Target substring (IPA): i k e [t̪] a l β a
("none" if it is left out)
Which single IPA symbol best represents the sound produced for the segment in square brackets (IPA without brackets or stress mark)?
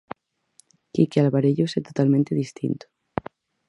none